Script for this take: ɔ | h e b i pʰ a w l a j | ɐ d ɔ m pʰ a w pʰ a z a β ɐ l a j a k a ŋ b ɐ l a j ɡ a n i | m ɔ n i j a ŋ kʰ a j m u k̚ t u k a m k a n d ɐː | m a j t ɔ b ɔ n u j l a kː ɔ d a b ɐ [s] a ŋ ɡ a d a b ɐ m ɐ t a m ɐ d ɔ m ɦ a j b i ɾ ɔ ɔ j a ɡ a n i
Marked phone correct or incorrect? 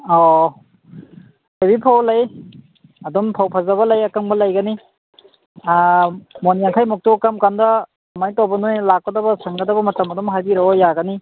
correct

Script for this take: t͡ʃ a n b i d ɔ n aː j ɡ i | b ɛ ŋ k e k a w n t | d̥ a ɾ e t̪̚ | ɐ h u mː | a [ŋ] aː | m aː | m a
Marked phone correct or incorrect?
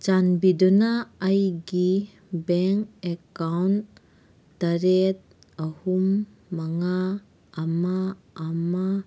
correct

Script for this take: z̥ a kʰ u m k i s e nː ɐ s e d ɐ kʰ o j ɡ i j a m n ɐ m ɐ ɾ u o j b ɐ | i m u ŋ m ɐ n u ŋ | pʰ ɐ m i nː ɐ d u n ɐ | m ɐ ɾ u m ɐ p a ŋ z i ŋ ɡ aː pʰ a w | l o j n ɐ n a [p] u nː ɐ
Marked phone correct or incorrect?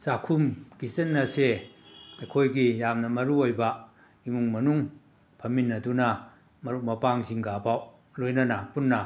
correct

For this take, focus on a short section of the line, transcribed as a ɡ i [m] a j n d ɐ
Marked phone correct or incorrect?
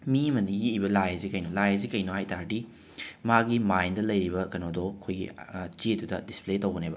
correct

